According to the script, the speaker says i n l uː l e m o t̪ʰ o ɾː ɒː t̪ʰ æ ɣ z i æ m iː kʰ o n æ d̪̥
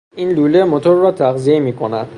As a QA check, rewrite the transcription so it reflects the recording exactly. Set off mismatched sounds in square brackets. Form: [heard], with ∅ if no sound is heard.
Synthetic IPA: i n l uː l e m o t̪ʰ o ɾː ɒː t̪ʰ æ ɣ z i [e] m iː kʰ o n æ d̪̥